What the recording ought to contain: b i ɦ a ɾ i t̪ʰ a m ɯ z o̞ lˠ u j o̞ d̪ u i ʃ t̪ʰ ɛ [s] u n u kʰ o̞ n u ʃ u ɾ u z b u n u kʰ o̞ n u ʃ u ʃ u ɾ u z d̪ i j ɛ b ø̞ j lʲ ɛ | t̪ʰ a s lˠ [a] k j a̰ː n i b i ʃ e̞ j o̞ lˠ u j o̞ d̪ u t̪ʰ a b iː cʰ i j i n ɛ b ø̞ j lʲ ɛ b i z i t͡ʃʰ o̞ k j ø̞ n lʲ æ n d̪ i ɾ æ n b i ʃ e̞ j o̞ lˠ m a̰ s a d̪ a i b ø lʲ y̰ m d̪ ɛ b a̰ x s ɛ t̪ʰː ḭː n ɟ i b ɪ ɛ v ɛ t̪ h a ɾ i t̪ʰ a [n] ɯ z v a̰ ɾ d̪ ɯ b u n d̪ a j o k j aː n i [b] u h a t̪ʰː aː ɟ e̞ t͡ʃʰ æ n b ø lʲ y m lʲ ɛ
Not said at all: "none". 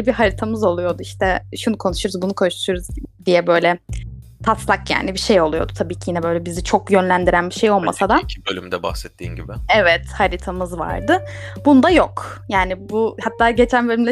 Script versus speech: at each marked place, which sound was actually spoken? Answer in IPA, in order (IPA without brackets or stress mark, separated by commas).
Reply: ʃ, a, m, b